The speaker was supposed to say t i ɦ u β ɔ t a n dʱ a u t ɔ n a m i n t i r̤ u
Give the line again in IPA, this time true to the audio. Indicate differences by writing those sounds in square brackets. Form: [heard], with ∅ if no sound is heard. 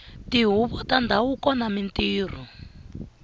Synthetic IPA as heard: t i ɦ u β ɔ t a n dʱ a u [k] ɔ n a m i n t [iː] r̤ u